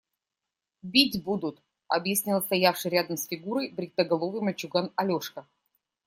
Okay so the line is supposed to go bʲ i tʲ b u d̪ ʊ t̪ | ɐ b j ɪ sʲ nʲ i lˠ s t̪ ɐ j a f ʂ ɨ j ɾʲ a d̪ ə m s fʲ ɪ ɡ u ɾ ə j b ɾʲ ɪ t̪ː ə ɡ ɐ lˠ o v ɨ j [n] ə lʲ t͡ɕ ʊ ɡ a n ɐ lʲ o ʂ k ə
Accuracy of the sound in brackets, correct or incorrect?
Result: incorrect: m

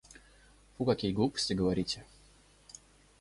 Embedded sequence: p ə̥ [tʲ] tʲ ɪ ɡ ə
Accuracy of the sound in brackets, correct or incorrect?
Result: incorrect: sʲ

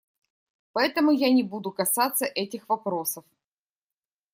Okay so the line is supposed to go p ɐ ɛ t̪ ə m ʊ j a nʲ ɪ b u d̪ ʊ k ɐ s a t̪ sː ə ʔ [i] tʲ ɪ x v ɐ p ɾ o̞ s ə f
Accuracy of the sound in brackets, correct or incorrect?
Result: incorrect: ɛ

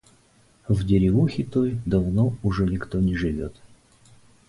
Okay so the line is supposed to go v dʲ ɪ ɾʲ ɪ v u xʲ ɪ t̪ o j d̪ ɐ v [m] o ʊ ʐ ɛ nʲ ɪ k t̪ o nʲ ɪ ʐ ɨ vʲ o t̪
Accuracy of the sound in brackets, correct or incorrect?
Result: incorrect: n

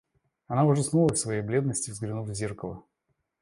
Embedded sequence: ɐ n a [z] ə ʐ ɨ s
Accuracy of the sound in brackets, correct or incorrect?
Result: incorrect: v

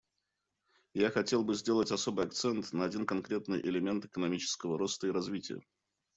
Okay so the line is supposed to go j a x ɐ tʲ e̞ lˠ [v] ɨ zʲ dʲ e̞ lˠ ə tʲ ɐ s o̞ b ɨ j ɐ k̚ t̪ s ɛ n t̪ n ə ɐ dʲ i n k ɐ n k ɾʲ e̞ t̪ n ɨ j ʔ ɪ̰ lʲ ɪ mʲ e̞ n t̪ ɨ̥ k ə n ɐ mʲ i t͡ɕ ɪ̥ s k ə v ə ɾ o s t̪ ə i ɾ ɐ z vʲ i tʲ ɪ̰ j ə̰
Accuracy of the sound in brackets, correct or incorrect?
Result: incorrect: b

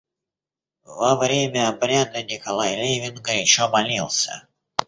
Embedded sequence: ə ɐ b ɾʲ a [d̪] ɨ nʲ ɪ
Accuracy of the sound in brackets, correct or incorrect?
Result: correct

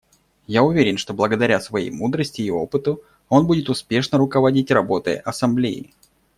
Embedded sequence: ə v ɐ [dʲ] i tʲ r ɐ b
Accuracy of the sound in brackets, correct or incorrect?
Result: correct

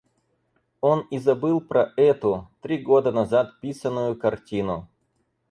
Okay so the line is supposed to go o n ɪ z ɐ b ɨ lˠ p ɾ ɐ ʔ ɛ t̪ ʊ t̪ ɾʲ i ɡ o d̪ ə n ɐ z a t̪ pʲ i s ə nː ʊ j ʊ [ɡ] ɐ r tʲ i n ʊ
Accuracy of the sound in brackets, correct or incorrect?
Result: incorrect: k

